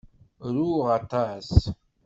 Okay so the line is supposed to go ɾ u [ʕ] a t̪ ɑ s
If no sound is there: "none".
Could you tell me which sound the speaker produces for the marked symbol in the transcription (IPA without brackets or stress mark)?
ʁ